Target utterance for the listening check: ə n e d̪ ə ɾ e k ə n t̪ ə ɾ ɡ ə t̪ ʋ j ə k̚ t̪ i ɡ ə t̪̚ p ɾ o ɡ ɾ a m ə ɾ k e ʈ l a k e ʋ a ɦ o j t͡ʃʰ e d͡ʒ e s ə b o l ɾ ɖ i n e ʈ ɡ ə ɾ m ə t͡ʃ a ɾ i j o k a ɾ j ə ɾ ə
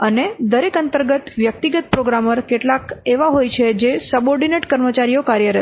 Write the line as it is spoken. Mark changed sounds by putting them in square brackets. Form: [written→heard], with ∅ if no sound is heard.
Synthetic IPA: ə n e d̪ ə ɾ e k ə n t̪ ə ɾ ɡ ə t̪ ʋ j ə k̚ t̪ i ɡ ə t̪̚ p ɾ o ɡ ɾ a m ə ɾ k e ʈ l a k e ʋ a ɦ o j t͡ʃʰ e d͡ʒ e s ə b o [l→∅] ɾ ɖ i n e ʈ [ɡ→k] ə ɾ m ə t͡ʃ a ɾ i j o k a ɾ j ə ɾ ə